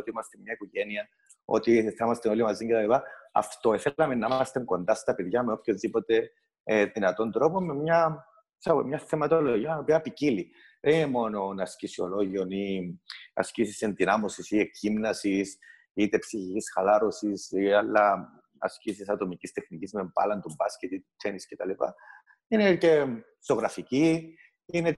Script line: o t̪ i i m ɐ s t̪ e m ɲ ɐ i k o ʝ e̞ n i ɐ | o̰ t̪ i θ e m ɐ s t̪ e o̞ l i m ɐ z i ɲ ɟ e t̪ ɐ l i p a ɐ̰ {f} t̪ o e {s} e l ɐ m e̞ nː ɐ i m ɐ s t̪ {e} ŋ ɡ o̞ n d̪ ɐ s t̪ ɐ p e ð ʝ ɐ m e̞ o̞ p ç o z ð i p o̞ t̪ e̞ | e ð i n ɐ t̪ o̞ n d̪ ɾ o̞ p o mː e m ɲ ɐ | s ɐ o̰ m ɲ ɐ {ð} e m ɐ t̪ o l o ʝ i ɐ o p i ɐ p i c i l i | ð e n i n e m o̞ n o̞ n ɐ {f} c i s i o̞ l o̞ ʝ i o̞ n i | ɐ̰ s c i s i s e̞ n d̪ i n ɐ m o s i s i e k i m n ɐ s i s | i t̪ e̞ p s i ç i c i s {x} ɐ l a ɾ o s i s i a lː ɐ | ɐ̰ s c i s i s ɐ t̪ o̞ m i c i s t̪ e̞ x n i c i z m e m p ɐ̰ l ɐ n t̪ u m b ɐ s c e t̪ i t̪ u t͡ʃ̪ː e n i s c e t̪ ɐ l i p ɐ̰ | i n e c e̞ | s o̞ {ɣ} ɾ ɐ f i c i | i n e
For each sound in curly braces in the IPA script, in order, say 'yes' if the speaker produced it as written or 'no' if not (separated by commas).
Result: yes, no, yes, no, no, yes, yes